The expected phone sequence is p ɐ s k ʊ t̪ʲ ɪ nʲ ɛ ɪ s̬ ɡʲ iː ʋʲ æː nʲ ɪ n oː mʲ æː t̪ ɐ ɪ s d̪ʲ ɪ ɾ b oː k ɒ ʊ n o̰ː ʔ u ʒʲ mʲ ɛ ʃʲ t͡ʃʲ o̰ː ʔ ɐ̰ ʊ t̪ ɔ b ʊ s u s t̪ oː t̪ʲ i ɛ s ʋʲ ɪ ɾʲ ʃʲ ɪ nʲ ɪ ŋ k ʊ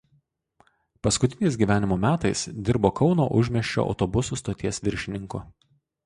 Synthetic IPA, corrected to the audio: p ɐ s k ʊ t̪ʲ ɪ nʲ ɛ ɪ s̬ ɡʲ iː ʋʲ æː nʲ ɪ m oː mʲ æː t̪ ɐ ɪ s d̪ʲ ɪ ɾ b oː k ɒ ʊ n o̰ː ʔ ʊ ʒʲ mʲ ɛ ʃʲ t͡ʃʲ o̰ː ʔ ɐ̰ ʊ t̪ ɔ b ʊ s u s t̪ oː t̪ʲ i ɛ s ʋʲ ɪ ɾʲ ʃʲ ɪ nʲ ɪ ŋ k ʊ